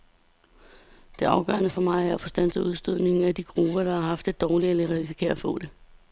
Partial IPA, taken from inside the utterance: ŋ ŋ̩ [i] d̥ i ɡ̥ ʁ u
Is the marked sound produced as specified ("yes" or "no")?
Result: no